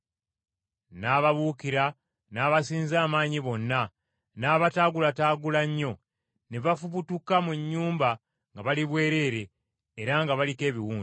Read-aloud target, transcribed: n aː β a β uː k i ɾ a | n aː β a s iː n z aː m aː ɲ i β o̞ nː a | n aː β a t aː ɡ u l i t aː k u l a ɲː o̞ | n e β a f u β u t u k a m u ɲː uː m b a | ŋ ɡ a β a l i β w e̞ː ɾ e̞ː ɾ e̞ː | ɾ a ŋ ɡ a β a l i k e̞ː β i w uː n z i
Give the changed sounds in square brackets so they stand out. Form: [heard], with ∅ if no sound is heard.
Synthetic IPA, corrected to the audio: n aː β a β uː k i ɾ a | n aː β a s iː n z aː m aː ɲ i β o̞ nː a | n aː β a t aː ɡ u l [a] t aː [ɡ] u l a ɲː o̞ | n e β a f u β u t u k a m u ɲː uː m b a | ŋ ɡ a β a l i β w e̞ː ɾ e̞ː ɾ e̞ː | ɾ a ŋ ɡ a β a l i k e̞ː β i w uː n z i